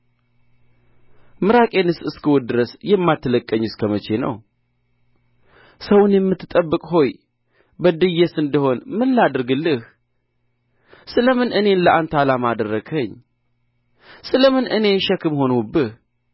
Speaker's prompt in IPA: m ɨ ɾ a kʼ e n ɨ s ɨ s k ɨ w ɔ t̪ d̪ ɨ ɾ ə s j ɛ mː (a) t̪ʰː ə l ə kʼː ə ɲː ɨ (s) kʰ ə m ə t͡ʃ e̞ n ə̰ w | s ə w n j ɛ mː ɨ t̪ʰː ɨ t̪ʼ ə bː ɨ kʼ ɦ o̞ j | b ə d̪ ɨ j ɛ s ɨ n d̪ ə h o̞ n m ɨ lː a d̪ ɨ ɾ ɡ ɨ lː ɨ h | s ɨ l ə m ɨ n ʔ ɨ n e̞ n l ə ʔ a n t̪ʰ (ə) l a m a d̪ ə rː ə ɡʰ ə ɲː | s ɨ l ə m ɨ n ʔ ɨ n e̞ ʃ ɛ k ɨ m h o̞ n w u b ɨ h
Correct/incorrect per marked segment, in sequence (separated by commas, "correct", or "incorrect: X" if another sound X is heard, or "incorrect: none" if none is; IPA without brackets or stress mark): correct, correct, incorrect: a